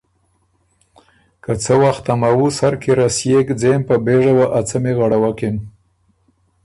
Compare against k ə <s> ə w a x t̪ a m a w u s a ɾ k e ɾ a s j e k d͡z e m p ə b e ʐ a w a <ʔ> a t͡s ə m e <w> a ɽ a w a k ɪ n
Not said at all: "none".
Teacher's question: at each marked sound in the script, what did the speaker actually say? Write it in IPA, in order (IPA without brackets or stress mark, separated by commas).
t͡s, ʔ, ɣ